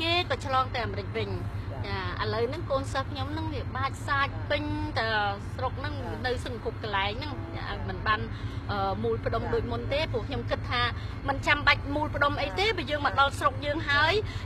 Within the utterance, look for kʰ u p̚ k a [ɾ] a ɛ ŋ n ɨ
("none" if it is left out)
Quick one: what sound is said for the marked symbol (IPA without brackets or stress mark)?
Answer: l